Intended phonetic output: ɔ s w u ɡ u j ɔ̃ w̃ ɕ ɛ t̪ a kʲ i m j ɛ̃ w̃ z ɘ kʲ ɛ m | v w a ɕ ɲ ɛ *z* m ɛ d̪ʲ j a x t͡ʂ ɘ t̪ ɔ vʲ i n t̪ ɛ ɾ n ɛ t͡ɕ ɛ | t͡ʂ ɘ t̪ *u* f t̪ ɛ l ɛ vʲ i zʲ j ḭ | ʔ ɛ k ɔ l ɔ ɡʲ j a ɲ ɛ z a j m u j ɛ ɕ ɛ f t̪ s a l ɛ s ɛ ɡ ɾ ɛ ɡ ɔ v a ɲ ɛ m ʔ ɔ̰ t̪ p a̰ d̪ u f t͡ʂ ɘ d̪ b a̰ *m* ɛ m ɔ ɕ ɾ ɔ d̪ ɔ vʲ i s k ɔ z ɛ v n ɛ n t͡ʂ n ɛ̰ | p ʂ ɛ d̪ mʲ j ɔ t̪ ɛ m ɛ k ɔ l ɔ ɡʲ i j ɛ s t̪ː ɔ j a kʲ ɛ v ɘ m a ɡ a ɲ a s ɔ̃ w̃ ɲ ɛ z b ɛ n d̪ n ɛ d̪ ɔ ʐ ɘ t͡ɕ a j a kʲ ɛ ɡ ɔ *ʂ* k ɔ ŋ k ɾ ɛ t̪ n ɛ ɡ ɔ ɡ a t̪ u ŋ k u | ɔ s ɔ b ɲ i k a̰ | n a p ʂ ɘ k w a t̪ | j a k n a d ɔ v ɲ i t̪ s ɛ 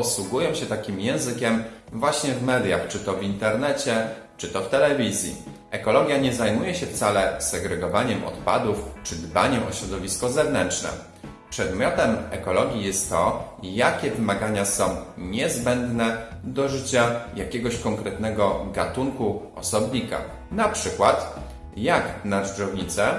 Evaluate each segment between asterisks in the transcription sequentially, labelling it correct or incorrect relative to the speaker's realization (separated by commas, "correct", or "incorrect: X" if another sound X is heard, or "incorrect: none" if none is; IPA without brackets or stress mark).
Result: incorrect: v, incorrect: ɔ, incorrect: ɲ, incorrect: ɕ